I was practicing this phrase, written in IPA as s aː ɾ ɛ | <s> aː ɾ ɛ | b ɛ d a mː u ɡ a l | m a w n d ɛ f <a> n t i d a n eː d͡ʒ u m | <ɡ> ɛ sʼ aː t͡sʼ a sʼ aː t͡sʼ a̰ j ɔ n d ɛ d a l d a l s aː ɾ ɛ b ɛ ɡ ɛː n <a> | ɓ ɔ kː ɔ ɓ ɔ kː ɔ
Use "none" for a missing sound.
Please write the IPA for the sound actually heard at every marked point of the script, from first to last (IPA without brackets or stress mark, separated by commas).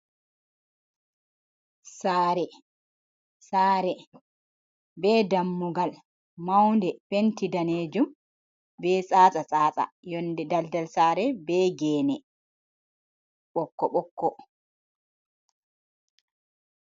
s, e, b, ɛ